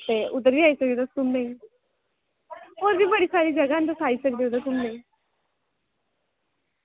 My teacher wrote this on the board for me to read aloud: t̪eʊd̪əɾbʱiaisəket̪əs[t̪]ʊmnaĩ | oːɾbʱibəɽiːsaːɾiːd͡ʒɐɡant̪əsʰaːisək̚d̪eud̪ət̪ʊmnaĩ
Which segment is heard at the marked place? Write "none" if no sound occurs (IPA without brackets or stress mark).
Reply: t̪